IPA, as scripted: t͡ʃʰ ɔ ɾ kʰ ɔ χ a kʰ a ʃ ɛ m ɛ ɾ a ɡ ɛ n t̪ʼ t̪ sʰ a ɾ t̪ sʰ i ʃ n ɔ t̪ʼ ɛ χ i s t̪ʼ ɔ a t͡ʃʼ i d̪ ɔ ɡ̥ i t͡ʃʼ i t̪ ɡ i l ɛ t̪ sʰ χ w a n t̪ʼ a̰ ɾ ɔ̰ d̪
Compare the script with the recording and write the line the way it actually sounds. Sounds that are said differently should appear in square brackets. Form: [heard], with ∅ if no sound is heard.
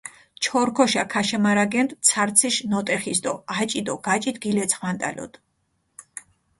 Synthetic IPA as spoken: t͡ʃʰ ɔ ɾ kʰ ɔ [ʃ] a kʰ a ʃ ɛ m [a] ɾ a ɡ ɛ n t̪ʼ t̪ sʰ a ɾ t̪ sʰ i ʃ n ɔ t̪ʼ ɛ χ i s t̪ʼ ɔ a t͡ʃʼ i d̪ ɔ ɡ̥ [a] t͡ʃʼ i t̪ ɡ i l ɛ t̪ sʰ χ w a n t̪ʼ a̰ [l] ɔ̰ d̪